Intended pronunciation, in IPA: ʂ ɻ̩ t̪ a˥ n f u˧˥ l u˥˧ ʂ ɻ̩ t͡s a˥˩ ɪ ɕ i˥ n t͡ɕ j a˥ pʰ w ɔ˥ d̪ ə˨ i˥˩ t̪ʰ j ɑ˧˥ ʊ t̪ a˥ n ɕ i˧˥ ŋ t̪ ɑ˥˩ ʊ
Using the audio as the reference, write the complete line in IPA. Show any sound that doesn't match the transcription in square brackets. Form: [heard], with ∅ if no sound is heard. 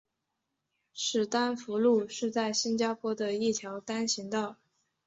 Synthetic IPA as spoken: ʂ ɻ̩ t̪ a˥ n f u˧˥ l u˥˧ ʂ ɻ̩ t͡s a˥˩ ɪ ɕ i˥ n t͡ɕ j a˥ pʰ w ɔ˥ d̪ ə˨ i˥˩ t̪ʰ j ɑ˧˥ ʊ t̪ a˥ n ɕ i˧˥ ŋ t̪ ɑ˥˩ ʊ